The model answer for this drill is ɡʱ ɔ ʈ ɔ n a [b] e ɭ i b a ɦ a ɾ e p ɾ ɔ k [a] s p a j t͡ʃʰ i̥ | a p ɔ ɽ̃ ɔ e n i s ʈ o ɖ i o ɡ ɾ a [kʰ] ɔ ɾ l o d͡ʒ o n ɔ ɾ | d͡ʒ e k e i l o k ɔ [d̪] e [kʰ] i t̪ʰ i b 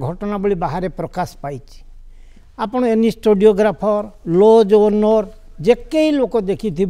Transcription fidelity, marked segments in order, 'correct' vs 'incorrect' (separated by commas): correct, correct, incorrect, correct, correct